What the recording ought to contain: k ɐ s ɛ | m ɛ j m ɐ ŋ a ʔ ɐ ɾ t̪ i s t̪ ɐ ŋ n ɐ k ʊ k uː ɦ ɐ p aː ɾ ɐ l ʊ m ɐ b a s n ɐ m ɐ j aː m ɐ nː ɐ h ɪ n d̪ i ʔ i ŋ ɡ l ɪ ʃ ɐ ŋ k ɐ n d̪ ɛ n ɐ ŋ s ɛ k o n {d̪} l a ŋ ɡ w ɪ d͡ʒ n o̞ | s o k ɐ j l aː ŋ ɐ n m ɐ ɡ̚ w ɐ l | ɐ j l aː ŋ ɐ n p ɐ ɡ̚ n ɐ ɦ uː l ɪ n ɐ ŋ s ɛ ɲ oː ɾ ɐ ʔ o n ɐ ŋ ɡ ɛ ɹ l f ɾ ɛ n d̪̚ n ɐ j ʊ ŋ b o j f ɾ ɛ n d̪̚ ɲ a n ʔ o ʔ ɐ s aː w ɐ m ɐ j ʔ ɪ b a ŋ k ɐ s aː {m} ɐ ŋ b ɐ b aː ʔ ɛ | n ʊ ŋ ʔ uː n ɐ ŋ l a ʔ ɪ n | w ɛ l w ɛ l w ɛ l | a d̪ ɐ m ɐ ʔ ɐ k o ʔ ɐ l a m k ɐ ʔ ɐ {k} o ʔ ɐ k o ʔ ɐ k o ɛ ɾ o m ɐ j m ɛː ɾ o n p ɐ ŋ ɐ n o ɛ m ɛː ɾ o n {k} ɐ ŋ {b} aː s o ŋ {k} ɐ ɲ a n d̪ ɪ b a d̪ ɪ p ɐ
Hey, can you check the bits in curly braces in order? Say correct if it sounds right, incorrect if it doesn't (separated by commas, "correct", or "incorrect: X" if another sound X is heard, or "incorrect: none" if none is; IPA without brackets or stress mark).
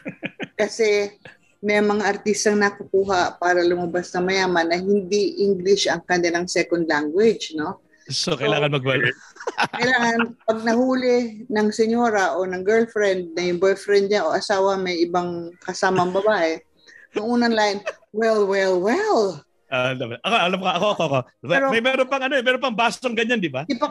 correct, correct, correct, incorrect: p, correct, incorrect: ɡ